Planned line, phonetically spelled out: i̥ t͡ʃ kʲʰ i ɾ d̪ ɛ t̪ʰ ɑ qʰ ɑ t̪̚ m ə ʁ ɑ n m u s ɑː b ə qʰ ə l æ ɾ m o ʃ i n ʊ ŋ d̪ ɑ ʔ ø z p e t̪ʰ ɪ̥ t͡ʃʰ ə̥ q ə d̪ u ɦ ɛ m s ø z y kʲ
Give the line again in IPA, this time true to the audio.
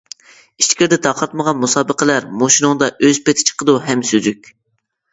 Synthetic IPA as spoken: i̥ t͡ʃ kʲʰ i ɾ d̪ ɛ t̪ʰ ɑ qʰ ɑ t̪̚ m ə ʁ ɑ n m u s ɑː b ə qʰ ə l æ ɾ m o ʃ i n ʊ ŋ d̪ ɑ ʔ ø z p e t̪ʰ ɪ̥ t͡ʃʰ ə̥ q ə d̪ u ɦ ɛ m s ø z y kʲ